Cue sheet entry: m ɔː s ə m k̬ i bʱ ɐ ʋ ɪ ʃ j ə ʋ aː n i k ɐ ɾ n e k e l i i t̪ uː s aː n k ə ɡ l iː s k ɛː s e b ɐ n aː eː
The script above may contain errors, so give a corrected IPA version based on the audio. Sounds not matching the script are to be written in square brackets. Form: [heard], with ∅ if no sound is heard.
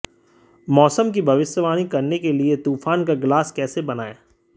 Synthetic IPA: m ɔː s ə m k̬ i bʱ ɐ ʋ ɪ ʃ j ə ʋ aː n i k ɐ ɾ n e k e l i [e] t̪ uː [f] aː n k [a] ɡ l [aː] s k ɛː s e b ɐ n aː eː